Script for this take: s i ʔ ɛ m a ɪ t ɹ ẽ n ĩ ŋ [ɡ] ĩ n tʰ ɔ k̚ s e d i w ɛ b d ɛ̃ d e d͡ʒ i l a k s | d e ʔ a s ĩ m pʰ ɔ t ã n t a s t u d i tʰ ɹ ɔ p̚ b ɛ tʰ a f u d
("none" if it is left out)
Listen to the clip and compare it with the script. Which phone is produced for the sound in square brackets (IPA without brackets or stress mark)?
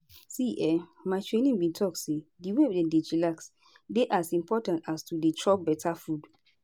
b